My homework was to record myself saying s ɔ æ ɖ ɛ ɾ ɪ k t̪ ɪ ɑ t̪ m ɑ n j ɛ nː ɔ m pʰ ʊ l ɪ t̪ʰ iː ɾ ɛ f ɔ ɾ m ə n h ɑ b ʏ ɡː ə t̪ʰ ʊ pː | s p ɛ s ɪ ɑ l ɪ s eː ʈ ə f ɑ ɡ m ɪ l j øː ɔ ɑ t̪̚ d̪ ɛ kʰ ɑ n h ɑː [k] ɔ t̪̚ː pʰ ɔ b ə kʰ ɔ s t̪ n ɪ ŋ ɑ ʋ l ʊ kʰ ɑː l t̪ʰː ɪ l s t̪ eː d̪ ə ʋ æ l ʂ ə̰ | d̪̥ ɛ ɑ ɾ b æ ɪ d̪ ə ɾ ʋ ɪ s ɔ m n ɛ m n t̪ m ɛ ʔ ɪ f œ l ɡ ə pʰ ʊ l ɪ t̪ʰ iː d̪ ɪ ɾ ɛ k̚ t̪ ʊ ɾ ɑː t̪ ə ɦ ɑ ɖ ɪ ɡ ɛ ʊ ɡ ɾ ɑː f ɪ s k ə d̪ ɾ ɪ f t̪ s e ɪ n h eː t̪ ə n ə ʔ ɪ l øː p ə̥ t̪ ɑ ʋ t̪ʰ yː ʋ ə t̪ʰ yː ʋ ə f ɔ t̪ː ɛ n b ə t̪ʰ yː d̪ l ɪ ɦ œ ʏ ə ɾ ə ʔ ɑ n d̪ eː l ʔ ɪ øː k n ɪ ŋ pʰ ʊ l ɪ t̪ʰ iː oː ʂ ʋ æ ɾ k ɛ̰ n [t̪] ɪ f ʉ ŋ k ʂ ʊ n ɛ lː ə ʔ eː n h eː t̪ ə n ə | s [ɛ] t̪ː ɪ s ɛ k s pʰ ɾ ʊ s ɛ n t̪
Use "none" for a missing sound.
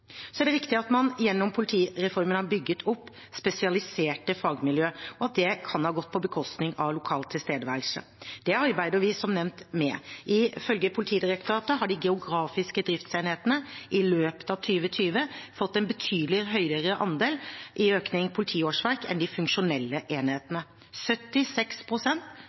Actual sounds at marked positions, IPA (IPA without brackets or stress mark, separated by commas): ɡ, d̪, œ